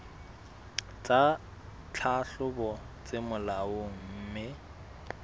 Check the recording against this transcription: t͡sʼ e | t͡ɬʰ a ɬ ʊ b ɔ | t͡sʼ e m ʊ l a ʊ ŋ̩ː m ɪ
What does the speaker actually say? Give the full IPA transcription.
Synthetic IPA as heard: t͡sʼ a | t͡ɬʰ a ɬ ʊ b ɔ | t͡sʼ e m ʊ l a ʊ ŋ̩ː m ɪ

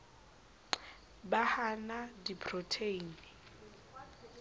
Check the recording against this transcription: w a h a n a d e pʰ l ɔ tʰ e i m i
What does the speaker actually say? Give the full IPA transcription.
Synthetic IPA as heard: b a h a n a d i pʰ r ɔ tʰ e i n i

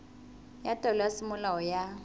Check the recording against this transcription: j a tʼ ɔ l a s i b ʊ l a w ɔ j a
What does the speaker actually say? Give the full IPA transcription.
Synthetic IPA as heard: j a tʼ ɔ l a s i m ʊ l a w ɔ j a

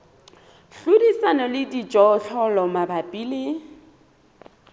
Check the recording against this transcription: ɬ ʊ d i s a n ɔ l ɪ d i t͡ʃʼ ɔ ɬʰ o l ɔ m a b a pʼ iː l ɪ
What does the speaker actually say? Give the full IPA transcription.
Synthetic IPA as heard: ɬ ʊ d i s a n ɔ l ɪ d i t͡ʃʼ ɔ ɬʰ ɔ l ɔ m a b a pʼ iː l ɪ

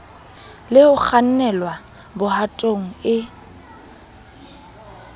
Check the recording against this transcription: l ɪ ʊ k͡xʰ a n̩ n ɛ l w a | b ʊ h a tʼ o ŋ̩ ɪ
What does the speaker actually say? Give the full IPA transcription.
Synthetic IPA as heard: l ɪ ʊ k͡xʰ a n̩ n ɛ l w a | b ʊ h a tʼ o ŋ̩ ɪ

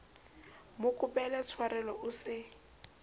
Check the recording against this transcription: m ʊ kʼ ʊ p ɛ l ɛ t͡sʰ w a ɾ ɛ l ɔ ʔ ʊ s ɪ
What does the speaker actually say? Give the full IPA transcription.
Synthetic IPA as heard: m ʊ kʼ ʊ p ɛ l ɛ t͡sʰ w a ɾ ɛ l ɔ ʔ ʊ s ɪ

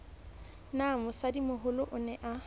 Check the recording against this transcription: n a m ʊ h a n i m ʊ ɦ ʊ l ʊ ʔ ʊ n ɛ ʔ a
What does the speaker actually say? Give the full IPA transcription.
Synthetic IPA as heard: n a m ʊ s a d i m ʊ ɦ ʊ l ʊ ʔ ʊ n ɛ ʔ a

